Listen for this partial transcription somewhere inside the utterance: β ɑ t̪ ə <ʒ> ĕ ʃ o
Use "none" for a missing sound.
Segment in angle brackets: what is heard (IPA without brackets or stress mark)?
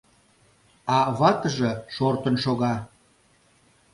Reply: ʒ